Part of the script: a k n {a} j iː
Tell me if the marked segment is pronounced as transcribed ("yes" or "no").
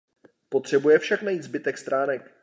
yes